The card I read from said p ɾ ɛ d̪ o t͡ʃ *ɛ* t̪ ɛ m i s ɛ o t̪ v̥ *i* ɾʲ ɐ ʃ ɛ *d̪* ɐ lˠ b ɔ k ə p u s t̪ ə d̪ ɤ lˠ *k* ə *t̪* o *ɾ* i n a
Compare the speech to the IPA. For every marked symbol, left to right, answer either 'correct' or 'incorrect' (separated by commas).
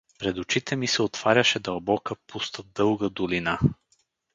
incorrect, incorrect, correct, incorrect, incorrect, incorrect